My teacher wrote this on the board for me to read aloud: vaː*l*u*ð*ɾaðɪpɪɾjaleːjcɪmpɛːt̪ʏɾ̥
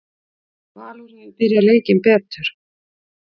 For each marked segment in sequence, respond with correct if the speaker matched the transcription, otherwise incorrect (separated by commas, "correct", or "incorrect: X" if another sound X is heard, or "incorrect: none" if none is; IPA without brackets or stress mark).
correct, incorrect: none